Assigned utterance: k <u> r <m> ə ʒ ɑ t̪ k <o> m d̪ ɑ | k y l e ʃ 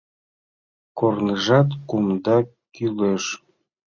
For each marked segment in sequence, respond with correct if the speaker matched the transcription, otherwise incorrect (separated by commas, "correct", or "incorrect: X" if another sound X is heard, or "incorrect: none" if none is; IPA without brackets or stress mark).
incorrect: o, incorrect: n, incorrect: u